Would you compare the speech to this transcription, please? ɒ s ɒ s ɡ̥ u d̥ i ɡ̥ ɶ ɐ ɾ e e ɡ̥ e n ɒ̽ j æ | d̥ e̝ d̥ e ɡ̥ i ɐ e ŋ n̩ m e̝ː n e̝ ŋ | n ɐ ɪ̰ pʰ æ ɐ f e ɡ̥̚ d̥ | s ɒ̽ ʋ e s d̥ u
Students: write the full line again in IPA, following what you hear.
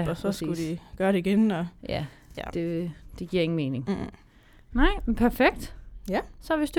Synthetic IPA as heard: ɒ s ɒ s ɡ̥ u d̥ i ɡ̥ ɶ ɐ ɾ e i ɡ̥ e n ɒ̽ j æ | d̥ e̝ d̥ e ɡ̥ i ɐ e ŋ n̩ m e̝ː n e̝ ŋ | n ɑ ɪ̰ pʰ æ ɐ f e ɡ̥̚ d̥ | s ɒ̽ ʋ e s d̥ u